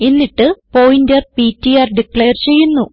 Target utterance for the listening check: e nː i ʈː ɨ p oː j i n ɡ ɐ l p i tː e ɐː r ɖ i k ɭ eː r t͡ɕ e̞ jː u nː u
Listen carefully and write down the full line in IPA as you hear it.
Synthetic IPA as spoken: e nː i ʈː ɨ p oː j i n d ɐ r p i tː i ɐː r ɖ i k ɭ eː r t͡ɕ e̞ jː u nː u